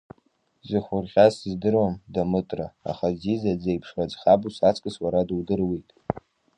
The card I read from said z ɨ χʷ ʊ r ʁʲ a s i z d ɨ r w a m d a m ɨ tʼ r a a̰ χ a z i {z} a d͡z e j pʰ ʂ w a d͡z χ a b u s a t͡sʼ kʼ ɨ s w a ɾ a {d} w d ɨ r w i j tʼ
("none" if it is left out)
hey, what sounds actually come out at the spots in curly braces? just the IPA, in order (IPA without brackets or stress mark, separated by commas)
z, d